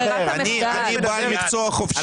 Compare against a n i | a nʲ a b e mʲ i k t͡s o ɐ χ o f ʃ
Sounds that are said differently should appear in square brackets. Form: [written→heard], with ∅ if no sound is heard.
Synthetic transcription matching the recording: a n i | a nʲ [a→i] b [e→a] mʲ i k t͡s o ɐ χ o f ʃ